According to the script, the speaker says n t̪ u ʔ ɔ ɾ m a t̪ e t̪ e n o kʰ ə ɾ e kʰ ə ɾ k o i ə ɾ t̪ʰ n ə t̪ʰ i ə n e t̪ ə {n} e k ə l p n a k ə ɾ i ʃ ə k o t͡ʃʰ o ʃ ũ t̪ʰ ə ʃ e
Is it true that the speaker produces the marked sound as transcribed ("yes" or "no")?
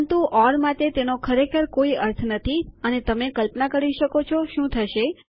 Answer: no